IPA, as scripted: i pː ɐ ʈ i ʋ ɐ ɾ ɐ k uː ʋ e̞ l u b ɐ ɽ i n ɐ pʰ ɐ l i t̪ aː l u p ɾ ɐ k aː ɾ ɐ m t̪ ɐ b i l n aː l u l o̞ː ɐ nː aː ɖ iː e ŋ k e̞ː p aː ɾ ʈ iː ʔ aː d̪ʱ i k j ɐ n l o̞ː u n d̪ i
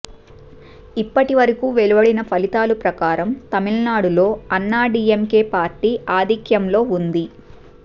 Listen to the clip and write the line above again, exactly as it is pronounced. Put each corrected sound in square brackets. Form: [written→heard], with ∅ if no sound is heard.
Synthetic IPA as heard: i pː ɐ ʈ i ʋ ɐ ɾ ɐ k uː ʋ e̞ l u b ɐ ɽ i n ɐ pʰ ɐ l i t̪ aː l u p ɾ ɐ k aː ɾ ɐ m t̪ ɐ [b→m] i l n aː [l→ɽ] u l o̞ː ɐ nː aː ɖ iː e [ŋ→m] k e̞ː p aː ɾ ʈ iː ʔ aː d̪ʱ i k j ɐ [n→m] l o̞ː u n d̪ i

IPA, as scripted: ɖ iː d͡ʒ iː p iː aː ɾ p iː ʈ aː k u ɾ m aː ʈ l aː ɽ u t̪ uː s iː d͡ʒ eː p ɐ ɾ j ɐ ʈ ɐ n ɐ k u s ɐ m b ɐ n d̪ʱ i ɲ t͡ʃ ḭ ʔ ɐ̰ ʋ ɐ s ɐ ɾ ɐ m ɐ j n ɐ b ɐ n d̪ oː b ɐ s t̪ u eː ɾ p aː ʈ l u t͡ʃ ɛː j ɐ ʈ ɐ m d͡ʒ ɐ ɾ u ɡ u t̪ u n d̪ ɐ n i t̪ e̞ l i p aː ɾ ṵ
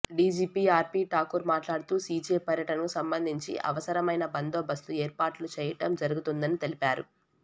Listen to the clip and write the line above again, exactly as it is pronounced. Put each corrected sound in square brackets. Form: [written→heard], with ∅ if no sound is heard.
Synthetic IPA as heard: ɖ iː d͡ʒ iː p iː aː ɾ p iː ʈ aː k u ɾ m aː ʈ l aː ɽ u t̪ uː s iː d͡ʒ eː p ɐ ɾ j ɐ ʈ ɐ n ɐ k u s ɐ m b ɐ n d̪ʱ i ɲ t͡ʃ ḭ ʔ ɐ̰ ʋ ɐ s ɐ ɾ ɐ m ɐ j n ɐ b ɐ n d̪ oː b ɐ s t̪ u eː ɾ p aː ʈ l u t͡ʃ ɛː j ɐ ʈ ɐ m d͡ʒ ɐ ɾ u ɡ u t̪ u n d̪ ɐ n i t̪ e̞ l i p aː ɾ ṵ

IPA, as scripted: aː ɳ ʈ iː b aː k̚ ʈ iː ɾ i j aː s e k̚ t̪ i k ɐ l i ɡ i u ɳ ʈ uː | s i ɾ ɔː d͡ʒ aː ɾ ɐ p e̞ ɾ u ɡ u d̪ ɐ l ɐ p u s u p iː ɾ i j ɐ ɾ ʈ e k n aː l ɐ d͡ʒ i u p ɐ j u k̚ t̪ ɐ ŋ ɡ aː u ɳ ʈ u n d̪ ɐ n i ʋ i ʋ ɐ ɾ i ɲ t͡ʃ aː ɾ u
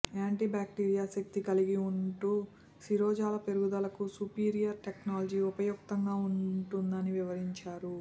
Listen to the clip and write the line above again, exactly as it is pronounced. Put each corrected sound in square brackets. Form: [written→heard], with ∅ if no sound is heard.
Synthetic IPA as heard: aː ɳ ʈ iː b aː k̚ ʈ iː ɾ i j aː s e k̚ t̪ i k ɐ l i ɡ i u ɳ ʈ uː | s i ɾ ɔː d͡ʒ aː [ɾ→l] ɐ p e̞ ɾ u ɡ u d̪ ɐ l ɐ [p→k] u s u p iː ɾ i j ɐ ɾ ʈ e k n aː l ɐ d͡ʒ i u p ɐ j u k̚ t̪ ɐ ŋ ɡ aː u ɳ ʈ u n d̪ ɐ n i ʋ i ʋ ɐ ɾ i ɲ t͡ʃ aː ɾ u

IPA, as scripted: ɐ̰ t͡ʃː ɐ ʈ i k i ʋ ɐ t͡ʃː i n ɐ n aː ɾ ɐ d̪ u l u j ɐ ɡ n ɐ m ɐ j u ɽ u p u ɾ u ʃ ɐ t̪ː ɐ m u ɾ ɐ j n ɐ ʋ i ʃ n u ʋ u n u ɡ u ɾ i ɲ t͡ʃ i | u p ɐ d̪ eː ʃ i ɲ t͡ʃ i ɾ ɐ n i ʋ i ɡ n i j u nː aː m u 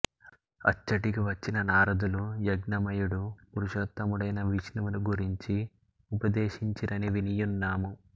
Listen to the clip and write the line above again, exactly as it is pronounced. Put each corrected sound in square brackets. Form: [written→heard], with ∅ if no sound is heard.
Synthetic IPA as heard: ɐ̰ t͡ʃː ɐ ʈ i k i ʋ ɐ t͡ʃː i n ɐ n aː ɾ ɐ d̪ u l u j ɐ ɡ n ɐ m ɐ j u ɽ u p u ɾ u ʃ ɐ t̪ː ɐ m u [ɾ→ɽ] ɐ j n ɐ ʋ i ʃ n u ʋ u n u ɡ u ɾ i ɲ t͡ʃ i | u p ɐ d̪ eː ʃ i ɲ t͡ʃ i ɾ ɐ n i ʋ i [ɡ→∅] n i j u nː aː m u

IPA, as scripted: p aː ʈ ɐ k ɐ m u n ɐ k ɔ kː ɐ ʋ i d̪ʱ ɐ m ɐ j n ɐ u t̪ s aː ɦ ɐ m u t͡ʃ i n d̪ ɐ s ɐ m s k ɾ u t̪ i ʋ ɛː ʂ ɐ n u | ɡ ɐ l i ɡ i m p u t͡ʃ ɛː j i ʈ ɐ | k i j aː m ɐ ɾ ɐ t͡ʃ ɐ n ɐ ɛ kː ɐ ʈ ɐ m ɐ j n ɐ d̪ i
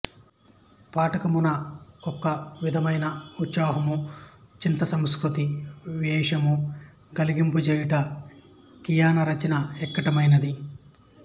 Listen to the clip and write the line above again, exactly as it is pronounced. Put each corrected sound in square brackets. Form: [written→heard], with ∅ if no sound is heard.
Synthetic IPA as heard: p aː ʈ ɐ k ɐ m u n ɐ k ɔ kː ɐ ʋ i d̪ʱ ɐ m ɐ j n ɐ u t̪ s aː ɦ ɐ m u t͡ʃ i n [d̪→t̪] ɐ s ɐ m s k ɾ u t̪ i ʋ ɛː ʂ ɐ [n→m] u | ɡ ɐ l i ɡ i m p u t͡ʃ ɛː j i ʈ ɐ | k i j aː [m→n] ɐ ɾ ɐ t͡ʃ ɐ n ɐ ɛ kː ɐ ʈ ɐ m ɐ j n ɐ d̪ i

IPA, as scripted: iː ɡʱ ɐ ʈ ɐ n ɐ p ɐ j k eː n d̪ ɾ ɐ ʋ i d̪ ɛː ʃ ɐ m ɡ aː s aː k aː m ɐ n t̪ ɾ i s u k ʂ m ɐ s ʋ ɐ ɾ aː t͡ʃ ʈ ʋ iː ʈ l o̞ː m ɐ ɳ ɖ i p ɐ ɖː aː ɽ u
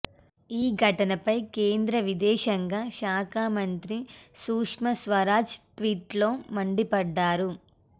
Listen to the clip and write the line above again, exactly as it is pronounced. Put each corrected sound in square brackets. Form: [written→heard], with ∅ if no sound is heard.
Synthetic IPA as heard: iː ɡʱ ɐ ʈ ɐ n ɐ p ɐ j k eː n d̪ ɾ ɐ ʋ i d̪ ɛː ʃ ɐ [m→ŋ] ɡ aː [s→ʃ] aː k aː m ɐ n t̪ ɾ i s [u→uː] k ʂ m ɐ s ʋ ɐ ɾ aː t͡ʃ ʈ ʋ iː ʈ l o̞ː m ɐ ɳ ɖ i p ɐ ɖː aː [ɽ→ɾ] u

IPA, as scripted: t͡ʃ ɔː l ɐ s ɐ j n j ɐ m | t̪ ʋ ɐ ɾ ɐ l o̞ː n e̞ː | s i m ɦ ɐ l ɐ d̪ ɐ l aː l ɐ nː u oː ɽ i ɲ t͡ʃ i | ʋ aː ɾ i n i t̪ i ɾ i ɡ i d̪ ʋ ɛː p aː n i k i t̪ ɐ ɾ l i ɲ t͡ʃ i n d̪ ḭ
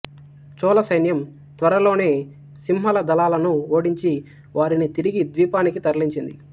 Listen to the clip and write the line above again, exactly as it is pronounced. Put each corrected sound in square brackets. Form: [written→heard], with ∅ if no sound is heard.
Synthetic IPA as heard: t͡ʃ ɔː l ɐ s ɐ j n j ɐ m | t̪ ʋ ɐ ɾ ɐ l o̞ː n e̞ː | s i m ɦ ɐ l ɐ d̪ ɐ l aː l ɐ [nː→n] u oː ɽ i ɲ t͡ʃ i | ʋ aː ɾ i n i t̪ i ɾ i ɡ i d̪ ʋ [ɛː→iː] p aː n i k i t̪ ɐ ɾ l i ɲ t͡ʃ i n d̪ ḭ

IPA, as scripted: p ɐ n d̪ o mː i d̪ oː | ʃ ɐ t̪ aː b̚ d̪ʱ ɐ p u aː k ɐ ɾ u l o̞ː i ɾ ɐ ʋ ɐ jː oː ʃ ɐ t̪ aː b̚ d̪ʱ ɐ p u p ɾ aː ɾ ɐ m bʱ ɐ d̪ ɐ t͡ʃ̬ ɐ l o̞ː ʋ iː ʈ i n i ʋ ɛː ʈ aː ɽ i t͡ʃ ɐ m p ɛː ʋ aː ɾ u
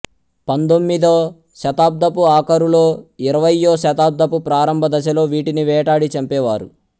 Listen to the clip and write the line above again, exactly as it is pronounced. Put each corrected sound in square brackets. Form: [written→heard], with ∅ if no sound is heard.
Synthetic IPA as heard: p ɐ n d̪ o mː i d̪ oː | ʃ ɐ t̪ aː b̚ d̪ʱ ɐ p u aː k ɐ ɾ u l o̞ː i ɾ ɐ ʋ ɐ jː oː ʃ ɐ t̪ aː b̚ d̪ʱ ɐ p u p ɾ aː ɾ ɐ m bʱ ɐ d̪ ɐ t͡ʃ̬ ɐ l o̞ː ʋ iː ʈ i n i ʋ ɛː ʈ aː ɽ i t͡ʃ ɐ m p ɛː ʋ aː ɾ u

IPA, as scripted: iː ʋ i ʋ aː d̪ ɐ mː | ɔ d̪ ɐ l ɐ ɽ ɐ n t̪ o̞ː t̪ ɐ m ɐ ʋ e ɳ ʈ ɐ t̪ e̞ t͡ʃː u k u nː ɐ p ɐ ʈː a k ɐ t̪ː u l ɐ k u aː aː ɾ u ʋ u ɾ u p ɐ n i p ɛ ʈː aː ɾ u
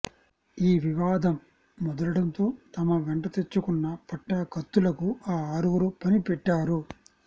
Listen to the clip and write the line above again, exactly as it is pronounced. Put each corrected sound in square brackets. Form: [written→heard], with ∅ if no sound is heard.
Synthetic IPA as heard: iː ʋ i ʋ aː d̪ ɐ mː | ɔ d̪ ɐ l ɐ ɽ ɐ n t̪ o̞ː t̪ ɐ m ɐ ʋ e ɳ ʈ ɐ t̪ e̞ t͡ʃː u k u nː ɐ p ɐ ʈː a k ɐ t̪ː u l ɐ k u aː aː ɾ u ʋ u ɾ u p ɐ n i p ɛ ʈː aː ɾ u

